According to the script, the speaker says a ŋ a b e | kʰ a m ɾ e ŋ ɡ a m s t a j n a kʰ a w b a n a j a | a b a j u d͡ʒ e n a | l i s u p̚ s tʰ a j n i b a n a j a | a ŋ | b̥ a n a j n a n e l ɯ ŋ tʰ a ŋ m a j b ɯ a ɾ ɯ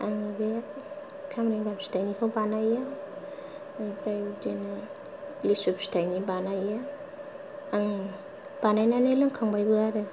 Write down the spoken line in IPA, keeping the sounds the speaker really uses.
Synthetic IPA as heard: a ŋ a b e | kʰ a m ɾ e ŋ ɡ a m s t a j n i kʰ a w b a n a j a | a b a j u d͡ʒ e n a | l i s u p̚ s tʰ a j n i b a n a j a | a ŋ | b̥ a n a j n a n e l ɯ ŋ kʰ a ŋ b a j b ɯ a ɾ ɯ